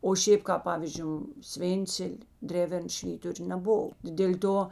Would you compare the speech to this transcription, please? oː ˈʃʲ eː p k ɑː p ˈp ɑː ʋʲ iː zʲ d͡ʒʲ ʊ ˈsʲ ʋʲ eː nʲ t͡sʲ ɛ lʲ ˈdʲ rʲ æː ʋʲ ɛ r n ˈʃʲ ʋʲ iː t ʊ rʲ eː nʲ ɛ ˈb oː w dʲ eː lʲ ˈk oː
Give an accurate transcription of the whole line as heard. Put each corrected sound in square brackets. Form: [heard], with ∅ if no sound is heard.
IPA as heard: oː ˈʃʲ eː p k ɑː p ˈp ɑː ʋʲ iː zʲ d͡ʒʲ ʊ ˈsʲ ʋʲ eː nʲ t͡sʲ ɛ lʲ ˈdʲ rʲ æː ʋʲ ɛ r n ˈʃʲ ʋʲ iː t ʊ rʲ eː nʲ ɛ ˈb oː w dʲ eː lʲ [ˈt] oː

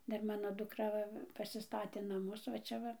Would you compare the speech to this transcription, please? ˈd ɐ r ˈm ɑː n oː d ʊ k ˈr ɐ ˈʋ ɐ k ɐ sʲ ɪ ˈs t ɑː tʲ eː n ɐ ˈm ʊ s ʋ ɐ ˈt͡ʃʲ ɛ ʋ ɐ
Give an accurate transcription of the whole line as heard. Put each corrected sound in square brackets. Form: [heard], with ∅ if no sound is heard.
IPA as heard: ˈd ɐ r ˈm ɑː n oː d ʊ k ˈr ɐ ˈʋ ɐ [p] ɐ sʲ ɪ ˈs t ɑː tʲ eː n ɐ ˈm ʊ s ʋ ɐ ˈt͡ʃʲ ɛ ʋ ɐ

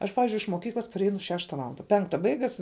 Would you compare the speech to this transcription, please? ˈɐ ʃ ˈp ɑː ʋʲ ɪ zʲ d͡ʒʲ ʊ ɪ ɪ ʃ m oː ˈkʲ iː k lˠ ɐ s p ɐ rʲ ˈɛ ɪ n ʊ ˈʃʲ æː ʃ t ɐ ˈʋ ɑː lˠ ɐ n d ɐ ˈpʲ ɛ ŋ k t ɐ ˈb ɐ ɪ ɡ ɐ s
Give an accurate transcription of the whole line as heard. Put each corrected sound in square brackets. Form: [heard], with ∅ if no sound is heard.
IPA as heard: ˈɐ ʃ ˈp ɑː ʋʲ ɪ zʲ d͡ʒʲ ʊ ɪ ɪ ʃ m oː ˈkʲ iː k lˠ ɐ s p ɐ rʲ ˈɛ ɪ n ʊ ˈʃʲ æː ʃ t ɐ ˈʋ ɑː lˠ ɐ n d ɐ ˈpʲ ɛ ŋ k t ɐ ˈb ɐ ɪ ɡ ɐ s

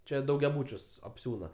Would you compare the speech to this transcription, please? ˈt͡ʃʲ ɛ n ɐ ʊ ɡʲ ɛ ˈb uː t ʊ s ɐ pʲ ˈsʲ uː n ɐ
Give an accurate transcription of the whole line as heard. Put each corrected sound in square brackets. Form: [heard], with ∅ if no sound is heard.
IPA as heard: ˈt͡ʃʲ ɛ [d] ɐ ʊ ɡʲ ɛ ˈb uː [t͡ʃʲ] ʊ s ɐ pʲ ˈsʲ uː n ɐ

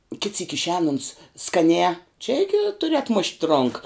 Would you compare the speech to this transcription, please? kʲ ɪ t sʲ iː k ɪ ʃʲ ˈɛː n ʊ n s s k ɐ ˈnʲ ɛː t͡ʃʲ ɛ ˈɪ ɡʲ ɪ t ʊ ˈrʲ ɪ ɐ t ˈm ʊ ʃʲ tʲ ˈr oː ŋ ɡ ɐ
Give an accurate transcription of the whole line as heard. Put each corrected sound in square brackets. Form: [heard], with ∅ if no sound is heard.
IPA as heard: kʲ ɪ t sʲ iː k ɪ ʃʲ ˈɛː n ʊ n s s k ɐ ˈnʲ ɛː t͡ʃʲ ɛ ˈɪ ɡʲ ɪ t ʊ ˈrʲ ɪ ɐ t ˈm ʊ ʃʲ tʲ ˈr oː ŋ [k] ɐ

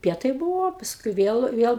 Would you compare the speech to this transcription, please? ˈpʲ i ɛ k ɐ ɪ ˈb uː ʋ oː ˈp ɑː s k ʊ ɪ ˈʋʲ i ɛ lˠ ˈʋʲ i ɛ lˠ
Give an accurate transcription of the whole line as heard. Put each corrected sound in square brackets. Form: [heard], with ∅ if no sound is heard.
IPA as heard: ˈpʲ i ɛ [t] ɐ ɪ ˈb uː ʋ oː ˈp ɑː s k ʊ ɪ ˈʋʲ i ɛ lˠ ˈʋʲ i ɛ lˠ

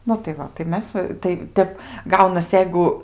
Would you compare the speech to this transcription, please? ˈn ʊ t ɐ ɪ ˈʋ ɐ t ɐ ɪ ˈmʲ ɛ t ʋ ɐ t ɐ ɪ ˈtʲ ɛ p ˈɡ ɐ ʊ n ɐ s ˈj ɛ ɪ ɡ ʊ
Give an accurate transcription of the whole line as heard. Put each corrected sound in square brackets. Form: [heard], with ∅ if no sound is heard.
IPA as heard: ˈn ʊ t ɐ ɪ ˈʋ ɐ t ɐ ɪ ˈmʲ ɛ [s] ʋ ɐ t ɐ ɪ ˈtʲ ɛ p ˈɡ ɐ ʊ n ɐ s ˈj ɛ ɪ ɡ ʊ

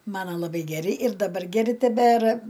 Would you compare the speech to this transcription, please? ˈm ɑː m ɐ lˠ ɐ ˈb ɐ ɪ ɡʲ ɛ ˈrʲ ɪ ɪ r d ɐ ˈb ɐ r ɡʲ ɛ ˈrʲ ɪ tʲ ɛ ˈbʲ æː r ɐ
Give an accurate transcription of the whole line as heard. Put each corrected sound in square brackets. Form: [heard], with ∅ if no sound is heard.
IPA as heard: ˈm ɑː [n] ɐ lˠ ɐ ˈb ɐ ɪ ɡʲ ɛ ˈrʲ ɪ ɪ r d ɐ ˈb ɐ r ɡʲ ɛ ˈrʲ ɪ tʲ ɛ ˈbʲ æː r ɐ

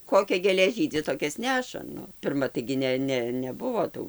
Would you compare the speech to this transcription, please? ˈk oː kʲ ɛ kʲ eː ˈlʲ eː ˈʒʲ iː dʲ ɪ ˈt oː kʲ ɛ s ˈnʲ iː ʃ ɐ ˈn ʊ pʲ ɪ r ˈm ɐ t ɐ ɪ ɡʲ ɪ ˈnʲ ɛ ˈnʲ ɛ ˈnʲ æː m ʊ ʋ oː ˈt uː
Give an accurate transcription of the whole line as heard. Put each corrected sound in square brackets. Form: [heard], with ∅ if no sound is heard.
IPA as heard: ˈk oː kʲ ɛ [ɡʲ] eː ˈlʲ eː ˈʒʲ iː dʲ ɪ ˈt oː kʲ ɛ s ˈnʲ [æː] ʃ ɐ ˈn ʊ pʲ ɪ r ˈm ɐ t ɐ ɪ ɡʲ ɪ ˈnʲ ɛ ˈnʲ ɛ ˈnʲ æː [b] ʊ ʋ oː ˈt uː

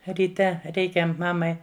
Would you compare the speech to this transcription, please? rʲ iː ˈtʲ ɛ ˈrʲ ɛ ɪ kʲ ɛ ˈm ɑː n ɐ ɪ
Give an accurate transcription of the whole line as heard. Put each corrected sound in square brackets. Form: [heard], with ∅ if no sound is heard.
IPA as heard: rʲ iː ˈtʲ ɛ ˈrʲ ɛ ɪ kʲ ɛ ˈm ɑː [m] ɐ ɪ

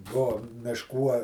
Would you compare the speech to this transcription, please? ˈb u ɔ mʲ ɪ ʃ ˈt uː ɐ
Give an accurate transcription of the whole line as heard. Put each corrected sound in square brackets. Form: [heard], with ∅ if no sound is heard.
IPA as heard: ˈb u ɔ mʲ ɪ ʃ [ˈk] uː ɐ

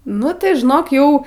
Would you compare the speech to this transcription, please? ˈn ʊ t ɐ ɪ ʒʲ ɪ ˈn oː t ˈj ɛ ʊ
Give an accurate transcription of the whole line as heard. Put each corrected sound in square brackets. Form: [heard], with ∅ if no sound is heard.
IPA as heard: ˈn ʊ t ɐ ɪ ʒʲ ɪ ˈn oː [k] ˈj ɛ ʊ

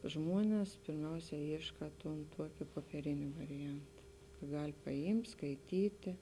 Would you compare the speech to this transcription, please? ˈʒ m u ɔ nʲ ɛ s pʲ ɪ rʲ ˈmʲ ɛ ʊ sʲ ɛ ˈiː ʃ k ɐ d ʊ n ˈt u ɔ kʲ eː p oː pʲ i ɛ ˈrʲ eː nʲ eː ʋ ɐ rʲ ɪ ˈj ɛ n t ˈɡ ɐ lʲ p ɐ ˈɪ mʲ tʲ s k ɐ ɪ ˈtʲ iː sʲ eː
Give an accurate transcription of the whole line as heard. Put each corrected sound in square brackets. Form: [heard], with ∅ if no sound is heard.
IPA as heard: ˈʒ m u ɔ nʲ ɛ s pʲ ɪ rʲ ˈmʲ ɛ ʊ sʲ ɛ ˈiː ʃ k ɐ [t] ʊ n ˈt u ɔ kʲ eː p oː pʲ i ɛ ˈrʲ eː nʲ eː ʋ ɐ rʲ ɪ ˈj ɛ n t ˈɡ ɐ lʲ p ɐ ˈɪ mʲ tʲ s k ɐ ɪ ˈtʲ iː [tʲ] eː

